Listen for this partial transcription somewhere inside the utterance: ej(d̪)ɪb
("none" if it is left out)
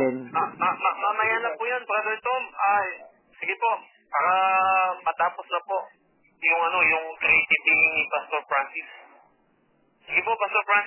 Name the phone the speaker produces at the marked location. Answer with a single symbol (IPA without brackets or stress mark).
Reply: t̪